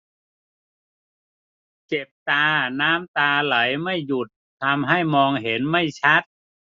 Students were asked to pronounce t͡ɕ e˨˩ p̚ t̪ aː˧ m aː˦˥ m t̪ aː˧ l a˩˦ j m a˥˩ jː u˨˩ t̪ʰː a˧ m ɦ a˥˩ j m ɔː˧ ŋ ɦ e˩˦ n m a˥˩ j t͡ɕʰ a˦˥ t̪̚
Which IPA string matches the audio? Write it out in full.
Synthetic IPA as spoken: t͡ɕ e˨˩ p̚ t̪ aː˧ n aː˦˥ m t̪ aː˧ l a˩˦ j m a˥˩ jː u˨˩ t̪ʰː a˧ m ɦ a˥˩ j m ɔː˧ ŋ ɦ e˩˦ n m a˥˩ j t͡ɕʰ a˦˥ t̪̚